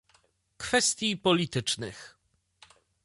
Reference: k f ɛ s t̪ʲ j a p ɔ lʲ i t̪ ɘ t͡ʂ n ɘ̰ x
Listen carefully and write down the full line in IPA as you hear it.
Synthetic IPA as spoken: k f ɛ s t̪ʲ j i p ɔ lʲ i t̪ ɘ t͡ʂ n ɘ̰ x